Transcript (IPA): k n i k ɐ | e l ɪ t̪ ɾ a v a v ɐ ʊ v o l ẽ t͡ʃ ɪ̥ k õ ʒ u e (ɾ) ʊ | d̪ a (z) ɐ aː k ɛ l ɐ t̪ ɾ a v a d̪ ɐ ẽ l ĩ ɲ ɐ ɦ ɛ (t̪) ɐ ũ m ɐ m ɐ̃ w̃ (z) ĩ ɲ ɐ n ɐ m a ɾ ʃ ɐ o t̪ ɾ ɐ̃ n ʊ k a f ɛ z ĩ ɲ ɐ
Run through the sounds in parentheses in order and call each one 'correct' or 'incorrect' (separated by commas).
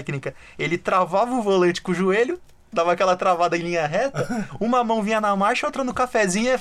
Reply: incorrect, incorrect, correct, incorrect